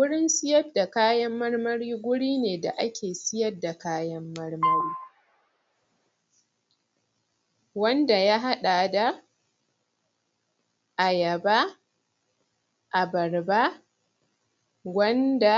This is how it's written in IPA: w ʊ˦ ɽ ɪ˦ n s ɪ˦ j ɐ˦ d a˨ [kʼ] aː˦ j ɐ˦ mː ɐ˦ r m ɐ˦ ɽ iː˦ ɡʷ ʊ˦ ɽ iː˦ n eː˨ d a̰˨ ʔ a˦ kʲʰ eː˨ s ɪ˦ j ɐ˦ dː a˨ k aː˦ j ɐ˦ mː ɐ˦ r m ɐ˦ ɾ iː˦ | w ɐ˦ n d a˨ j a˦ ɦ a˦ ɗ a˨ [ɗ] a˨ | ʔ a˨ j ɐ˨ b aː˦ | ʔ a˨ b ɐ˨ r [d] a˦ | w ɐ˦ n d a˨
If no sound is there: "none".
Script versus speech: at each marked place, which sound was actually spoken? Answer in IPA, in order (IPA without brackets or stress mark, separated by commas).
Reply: k, d, b